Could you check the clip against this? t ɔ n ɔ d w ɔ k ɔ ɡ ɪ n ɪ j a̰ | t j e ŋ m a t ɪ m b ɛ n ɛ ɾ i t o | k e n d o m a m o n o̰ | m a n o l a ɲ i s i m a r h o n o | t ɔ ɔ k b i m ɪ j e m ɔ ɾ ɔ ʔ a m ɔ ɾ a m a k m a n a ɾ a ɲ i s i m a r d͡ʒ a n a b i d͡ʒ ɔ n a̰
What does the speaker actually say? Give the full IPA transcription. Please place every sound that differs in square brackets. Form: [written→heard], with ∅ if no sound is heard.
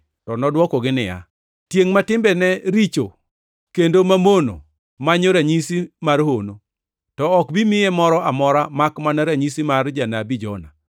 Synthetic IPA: t ɔ n ɔ d w ɔ k ɔ ɡ ɪ n ɪ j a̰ | t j e ŋ m a t ɪ m b ɛ n ɛ ɾ i [t→t͡ʃ] o | k e n d o m a m o n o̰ | m a [n→ɲ] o [l→ɾ] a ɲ i s i m a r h o n o | t ɔ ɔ k b i m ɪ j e m ɔ ɾ ɔ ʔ a m ɔ ɾ a m a k m a n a ɾ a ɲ i s i m a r d͡ʒ a n a b i d͡ʒ ɔ n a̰